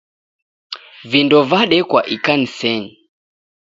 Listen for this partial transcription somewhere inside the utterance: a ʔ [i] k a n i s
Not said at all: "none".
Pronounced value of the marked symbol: i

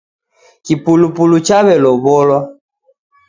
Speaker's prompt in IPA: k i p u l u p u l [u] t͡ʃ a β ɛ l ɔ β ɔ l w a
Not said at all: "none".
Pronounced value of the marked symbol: u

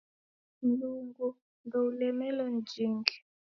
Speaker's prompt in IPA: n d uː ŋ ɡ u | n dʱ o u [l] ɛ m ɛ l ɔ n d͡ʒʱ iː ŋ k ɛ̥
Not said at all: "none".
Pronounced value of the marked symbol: l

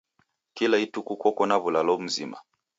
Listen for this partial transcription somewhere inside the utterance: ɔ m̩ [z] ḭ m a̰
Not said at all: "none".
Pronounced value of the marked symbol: z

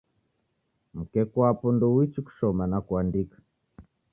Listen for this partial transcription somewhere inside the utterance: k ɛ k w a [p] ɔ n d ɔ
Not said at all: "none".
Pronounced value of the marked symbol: p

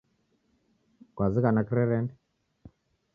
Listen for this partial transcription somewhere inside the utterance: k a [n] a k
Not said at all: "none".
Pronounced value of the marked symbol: n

